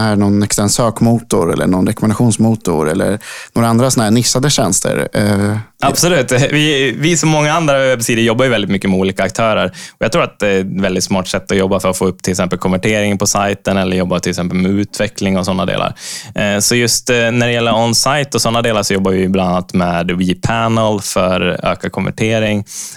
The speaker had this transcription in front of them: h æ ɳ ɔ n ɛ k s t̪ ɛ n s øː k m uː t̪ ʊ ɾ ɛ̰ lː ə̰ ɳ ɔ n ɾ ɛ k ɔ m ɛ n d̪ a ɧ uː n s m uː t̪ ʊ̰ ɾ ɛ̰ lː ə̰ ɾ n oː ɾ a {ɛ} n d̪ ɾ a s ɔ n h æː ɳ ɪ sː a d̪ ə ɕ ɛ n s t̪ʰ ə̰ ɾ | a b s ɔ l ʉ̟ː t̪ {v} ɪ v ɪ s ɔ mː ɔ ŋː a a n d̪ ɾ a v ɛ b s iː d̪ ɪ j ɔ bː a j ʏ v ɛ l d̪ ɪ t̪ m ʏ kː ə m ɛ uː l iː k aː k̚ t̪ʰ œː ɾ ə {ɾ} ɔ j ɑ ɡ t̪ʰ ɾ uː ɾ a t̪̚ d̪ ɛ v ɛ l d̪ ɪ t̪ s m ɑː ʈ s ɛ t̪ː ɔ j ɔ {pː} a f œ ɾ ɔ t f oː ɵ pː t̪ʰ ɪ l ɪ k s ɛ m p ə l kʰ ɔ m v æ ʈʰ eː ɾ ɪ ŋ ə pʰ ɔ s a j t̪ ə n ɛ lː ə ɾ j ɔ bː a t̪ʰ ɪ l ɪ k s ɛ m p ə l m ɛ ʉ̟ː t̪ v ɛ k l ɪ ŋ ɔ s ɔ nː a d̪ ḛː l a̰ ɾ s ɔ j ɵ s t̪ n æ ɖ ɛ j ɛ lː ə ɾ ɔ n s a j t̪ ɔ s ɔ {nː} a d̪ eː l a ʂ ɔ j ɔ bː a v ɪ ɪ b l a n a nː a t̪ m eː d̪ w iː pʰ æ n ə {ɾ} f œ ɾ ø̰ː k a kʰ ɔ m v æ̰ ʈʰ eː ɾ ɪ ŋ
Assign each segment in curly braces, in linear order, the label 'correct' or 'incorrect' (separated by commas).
incorrect, correct, correct, incorrect, correct, incorrect